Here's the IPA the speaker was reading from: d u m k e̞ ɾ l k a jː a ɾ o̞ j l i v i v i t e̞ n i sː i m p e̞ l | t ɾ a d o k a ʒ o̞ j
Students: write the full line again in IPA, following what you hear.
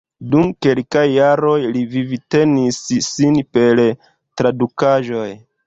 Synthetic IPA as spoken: d u m k e̞ l k a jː a ɾ o̞ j l i v i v i t e̞ n i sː i n p e̞ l | t ɾ a d u k a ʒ o̞ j